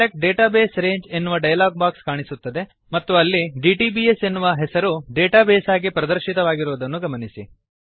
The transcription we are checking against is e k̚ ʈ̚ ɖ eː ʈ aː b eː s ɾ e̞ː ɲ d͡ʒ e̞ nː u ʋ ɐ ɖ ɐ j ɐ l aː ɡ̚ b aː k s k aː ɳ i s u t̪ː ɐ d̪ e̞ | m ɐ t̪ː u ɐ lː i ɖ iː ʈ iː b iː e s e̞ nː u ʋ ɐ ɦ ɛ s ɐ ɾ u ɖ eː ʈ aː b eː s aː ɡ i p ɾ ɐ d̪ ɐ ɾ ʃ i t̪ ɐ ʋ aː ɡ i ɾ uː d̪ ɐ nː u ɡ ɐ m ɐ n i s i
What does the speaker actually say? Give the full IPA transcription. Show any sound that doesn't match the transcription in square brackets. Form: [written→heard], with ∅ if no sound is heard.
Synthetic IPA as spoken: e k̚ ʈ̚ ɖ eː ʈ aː b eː s ɾ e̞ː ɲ d͡ʒ e̞ nː u ʋ ɐ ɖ ɐ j ɐ l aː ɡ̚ b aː k s k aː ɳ i s u t̪ː ɐ d̪ e̞ | m ɐ t̪ː u ɐ lː i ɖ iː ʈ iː b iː e s e̞ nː u ʋ ɐ ɦ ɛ s ɐ ɾ u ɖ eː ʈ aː b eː s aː ɡ i p ɾ ɐ d̪ ɐ ɾ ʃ i t̪ ɐ ʋ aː ɡ i ɾ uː d̪ ɐ nː u ɡ ɐ m ɐ n i s i